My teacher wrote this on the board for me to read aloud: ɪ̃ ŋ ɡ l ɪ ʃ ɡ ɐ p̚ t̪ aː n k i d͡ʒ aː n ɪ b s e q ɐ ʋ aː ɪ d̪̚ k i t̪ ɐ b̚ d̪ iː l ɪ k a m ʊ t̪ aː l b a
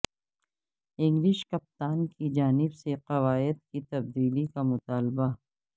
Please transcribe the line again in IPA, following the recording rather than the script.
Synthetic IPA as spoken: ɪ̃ ŋ ɡ l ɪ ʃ k ɐ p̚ t̪ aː n k i d͡ʒ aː n ɪ b s e q ɐ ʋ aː ɪ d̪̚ k i t̪ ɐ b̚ d̪ iː l i k a m ʊ t̪ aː l b a